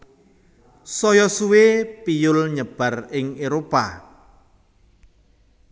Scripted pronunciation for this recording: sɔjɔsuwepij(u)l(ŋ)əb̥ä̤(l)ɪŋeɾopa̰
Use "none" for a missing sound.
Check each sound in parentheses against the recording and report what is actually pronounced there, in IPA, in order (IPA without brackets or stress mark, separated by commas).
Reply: ʊ, ɲ, r